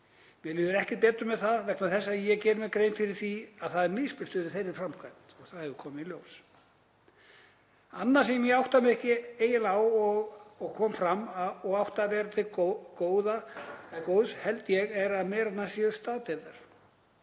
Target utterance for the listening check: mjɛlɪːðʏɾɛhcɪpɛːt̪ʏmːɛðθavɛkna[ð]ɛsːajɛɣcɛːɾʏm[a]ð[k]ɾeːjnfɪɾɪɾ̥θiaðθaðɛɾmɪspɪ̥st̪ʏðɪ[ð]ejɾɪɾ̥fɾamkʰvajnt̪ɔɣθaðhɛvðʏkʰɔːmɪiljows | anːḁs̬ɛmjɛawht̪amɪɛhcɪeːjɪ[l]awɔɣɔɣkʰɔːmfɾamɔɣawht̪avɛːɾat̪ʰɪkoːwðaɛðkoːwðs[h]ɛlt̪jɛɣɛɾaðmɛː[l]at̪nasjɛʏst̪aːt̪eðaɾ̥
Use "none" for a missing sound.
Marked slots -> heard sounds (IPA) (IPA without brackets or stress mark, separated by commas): θ, ɛ, k, θ, l, h, ɾ